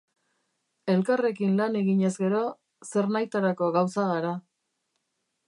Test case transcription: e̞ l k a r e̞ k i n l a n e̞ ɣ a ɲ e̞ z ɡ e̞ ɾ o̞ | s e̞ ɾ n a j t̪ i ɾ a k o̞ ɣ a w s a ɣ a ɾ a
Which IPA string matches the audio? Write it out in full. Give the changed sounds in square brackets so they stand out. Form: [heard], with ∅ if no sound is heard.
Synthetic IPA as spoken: e̞ l k a r e̞ k i n l a n e̞ ɣ [i] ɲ e̞ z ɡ e̞ ɾ o̞ | s e̞ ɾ n a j t̪ [a] ɾ a k o̞ ɣ a w s a ɣ a ɾ a